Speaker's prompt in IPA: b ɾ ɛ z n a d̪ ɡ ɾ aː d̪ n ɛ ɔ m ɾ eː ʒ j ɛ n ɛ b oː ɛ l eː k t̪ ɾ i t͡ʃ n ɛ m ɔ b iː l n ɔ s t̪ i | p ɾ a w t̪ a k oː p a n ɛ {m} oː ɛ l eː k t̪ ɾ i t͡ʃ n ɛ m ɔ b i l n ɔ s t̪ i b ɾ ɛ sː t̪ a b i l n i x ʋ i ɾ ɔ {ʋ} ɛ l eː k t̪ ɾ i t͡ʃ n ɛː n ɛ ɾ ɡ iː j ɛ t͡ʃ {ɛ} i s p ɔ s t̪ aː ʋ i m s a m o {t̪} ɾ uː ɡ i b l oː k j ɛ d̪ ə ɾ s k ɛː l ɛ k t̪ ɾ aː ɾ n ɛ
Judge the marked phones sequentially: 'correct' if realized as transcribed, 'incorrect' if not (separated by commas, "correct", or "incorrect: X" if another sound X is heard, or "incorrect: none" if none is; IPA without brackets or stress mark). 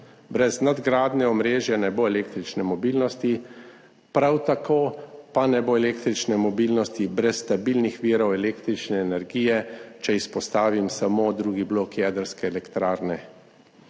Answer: incorrect: b, incorrect: w, correct, incorrect: d̪